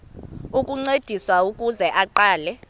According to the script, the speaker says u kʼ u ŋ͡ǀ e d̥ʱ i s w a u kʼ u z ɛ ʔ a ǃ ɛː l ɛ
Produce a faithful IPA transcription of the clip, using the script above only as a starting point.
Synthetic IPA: u kʼ u ŋ͡ǀ e d̥ʱ i s w a u kʼ u z ɛ ʔ a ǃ aː l ɛ